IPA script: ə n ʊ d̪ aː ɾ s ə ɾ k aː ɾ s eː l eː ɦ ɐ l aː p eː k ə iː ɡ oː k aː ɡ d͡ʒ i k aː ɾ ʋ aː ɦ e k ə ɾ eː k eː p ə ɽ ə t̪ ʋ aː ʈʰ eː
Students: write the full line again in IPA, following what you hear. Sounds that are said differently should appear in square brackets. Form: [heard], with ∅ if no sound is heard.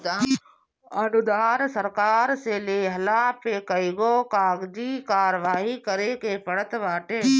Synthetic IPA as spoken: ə n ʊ d̪ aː ɾ s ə ɾ k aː ɾ s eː l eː ɦ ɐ l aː p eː k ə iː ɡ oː k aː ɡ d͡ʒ i k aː ɾ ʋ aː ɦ [i] k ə ɾ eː k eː p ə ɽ ə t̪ ʋ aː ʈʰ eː